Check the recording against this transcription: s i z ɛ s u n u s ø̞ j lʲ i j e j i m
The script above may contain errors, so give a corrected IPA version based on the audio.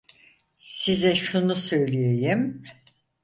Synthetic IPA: s i z ɛ ʃ u n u s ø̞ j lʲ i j e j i m